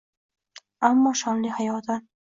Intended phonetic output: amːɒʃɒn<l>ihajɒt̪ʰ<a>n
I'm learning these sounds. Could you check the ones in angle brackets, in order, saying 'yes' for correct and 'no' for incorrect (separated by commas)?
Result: yes, yes